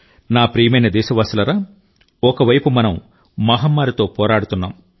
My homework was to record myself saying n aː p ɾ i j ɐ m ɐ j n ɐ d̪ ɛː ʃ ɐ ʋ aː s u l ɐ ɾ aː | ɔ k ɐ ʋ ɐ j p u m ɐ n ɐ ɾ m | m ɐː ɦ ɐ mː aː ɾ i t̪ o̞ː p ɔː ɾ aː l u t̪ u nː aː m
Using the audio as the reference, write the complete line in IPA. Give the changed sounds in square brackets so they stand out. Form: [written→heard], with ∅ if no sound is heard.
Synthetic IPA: n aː p ɾ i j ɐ m ɐ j n ɐ d̪ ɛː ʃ ɐ ʋ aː s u l ɐ ɾ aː | ɔ k ɐ ʋ ɐ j p u m ɐ n ɐ [ɾ→∅] m | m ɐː ɦ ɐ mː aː ɾ i t̪ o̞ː p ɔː ɾ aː [l→ɽ] u t̪ u nː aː m